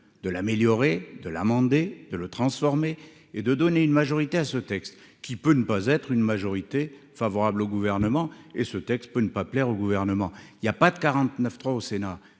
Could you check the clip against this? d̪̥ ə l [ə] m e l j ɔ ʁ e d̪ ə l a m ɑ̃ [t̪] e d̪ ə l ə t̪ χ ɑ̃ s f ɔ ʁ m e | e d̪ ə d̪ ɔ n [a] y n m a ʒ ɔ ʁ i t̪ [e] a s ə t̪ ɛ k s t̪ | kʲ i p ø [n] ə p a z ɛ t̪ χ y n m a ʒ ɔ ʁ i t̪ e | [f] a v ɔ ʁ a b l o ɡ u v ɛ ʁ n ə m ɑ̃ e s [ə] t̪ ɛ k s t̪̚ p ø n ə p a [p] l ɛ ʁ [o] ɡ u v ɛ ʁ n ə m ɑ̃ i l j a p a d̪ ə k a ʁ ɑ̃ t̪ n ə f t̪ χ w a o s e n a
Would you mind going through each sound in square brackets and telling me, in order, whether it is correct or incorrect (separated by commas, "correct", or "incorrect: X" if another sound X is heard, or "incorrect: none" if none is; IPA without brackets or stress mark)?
incorrect: a, incorrect: d̪, incorrect: e, correct, correct, correct, correct, correct, correct